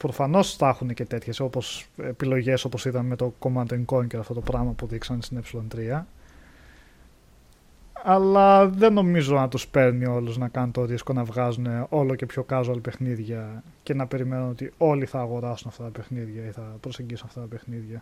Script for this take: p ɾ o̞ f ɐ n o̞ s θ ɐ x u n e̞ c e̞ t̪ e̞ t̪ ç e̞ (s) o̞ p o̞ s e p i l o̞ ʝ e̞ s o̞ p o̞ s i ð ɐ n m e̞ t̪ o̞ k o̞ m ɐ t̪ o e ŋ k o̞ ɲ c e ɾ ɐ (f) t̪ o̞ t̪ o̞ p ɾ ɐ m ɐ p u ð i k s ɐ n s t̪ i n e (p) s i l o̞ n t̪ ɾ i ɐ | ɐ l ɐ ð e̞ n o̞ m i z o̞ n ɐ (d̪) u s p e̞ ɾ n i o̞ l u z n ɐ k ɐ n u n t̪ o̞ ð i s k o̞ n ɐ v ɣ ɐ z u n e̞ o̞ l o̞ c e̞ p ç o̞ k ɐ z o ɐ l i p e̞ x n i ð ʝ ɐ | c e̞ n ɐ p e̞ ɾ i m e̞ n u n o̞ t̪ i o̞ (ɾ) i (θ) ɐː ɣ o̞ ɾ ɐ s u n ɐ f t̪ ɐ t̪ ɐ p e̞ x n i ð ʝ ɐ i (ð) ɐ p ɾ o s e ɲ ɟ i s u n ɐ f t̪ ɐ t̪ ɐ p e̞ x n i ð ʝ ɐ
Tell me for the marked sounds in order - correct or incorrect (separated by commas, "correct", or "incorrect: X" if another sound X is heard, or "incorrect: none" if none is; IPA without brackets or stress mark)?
correct, correct, correct, incorrect: t̪, incorrect: l, correct, incorrect: θ